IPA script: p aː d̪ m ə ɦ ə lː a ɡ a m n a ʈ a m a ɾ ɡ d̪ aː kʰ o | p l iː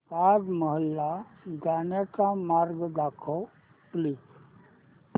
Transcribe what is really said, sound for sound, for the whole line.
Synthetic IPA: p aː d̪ m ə ɦ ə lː a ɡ a n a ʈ a m a ɾ ɡ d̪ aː kʰ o | p l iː